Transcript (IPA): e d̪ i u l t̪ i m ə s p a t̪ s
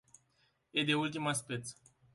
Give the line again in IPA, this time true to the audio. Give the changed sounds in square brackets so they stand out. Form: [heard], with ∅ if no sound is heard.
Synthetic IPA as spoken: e d̪ [e] u l t̪ i m [a] s p [e] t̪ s